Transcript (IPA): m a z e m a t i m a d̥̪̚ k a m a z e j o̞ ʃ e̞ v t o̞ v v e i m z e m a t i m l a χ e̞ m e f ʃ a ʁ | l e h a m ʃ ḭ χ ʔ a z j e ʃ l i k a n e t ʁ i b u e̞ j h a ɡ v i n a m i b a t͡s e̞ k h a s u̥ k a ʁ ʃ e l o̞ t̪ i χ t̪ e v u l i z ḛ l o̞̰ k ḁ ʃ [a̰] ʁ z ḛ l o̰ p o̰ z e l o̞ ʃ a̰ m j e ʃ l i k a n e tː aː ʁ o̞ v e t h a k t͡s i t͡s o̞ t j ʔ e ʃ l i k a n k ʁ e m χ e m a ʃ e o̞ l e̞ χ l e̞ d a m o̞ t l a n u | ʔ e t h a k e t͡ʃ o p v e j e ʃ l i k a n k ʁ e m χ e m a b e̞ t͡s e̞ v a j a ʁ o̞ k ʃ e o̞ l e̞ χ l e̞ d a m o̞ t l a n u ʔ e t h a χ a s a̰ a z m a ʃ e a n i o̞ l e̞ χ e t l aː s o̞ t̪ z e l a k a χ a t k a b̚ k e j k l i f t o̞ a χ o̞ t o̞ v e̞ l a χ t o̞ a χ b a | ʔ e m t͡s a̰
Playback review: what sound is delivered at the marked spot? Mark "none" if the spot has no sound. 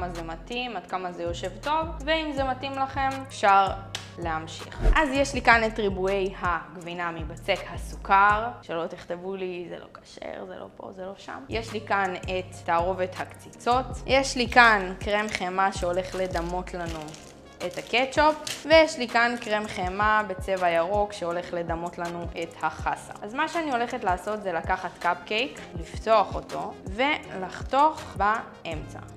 ḛ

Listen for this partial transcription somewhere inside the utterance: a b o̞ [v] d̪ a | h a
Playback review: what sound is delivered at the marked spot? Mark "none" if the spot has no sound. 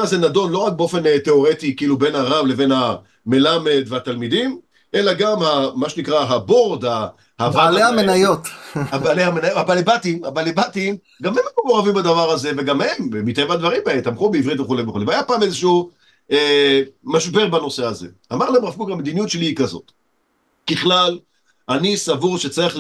ʁ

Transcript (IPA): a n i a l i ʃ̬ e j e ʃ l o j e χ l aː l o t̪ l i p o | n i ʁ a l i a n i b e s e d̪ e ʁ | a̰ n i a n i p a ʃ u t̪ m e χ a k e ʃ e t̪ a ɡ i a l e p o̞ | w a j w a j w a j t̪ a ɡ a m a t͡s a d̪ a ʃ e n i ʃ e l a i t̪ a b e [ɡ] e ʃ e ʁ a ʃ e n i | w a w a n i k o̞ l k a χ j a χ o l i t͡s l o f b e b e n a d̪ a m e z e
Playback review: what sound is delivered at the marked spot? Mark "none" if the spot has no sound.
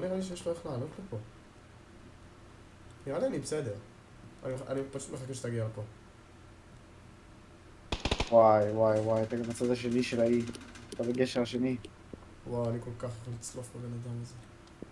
ɡ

